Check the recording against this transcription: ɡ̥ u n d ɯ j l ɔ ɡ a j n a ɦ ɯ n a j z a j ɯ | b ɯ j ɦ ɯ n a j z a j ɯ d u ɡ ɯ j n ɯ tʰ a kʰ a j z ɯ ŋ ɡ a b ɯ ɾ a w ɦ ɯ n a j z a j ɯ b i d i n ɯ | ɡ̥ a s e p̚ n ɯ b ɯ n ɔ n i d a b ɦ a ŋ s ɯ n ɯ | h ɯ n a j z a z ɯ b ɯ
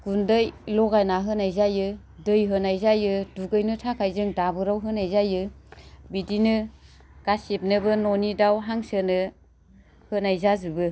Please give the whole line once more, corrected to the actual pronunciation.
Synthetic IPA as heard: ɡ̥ u n d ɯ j l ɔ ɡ a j n a ɦ ɯ n a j z a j ɯ | d ɯ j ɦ ɯ n a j z a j ɯ d u ɡ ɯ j n ɯ tʰ a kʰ a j z ɯ ŋ d a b ɯ ɾ a w ɦ ɯ n a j z a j ɯ b i d i n ɯ | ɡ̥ a s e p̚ n ɯ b ɯ n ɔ n i d a w ɦ a ŋ s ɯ n ɯ | h ɯ n a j z a z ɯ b ɯ